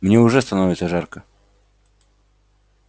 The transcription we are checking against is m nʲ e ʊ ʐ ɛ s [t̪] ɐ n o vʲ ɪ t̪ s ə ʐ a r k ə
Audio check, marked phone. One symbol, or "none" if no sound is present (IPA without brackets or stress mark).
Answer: t̪